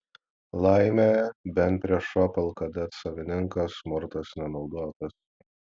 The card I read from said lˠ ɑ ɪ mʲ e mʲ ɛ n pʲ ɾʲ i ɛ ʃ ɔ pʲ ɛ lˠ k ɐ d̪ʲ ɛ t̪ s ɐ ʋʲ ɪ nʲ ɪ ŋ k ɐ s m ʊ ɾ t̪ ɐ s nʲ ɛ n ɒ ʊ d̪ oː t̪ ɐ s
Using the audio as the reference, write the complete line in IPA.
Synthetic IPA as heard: lˠ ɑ ɪ mʲ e bʲ ɛ n pʲ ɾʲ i ɛ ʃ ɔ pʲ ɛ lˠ k ɐ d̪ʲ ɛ t̪ s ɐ ʋʲ ɪ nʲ ɪ ŋ k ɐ s m ʊ ɾ t̪ ɐ s nʲ ɛ n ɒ ʊ d̪ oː t̪ ɐ s